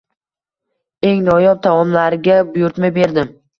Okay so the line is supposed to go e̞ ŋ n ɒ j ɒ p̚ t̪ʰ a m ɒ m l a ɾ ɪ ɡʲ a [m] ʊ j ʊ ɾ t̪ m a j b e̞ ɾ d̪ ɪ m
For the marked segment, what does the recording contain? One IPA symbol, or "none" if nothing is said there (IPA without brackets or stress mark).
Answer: b